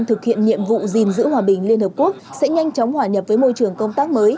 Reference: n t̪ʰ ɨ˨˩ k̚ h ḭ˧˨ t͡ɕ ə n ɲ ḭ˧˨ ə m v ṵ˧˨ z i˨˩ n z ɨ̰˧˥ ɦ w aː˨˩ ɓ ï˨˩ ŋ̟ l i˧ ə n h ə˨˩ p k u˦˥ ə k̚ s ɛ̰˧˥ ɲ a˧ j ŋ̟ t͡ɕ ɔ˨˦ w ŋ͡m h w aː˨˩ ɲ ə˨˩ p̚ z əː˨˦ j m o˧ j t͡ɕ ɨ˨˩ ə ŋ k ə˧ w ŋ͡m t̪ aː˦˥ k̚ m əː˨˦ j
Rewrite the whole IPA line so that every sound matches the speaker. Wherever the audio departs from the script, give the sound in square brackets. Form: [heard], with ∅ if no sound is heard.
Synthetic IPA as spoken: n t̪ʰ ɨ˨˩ k̚ h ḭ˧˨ [∅] ə n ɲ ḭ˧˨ ə m v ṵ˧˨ z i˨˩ n z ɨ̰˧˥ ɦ w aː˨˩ ɓ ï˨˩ ŋ̟ l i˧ ə n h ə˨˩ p k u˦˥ ə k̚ s ɛ̰˧˥ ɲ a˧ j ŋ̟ t͡ɕ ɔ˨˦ w ŋ͡m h w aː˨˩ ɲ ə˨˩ p̚ [v] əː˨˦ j m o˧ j t͡ɕ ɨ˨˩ ə ŋ k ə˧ w ŋ͡m t̪ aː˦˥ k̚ m əː˨˦ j